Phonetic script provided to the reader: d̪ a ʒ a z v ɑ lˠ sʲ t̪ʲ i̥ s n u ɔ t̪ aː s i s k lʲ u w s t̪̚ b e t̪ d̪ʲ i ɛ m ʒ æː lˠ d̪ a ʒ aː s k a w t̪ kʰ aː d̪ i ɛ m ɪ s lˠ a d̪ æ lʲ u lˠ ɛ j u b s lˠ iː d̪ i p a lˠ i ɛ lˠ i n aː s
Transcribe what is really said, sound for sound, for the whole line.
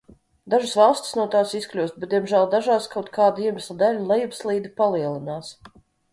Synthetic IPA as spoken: d̪ a ʒ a s v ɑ lˠ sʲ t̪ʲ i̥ s n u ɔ t̪ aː s i s k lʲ u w s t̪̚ b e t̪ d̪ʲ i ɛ m ʒ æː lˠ d̪ a ʒ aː s k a w t̪ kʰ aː d̪ i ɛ m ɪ s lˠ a d̪ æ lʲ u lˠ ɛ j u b s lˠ iː d̪ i p a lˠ i ɛ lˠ i n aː s